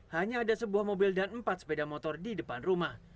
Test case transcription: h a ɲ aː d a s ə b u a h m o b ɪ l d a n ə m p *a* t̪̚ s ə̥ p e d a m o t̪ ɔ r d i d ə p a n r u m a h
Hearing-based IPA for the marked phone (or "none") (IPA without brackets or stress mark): a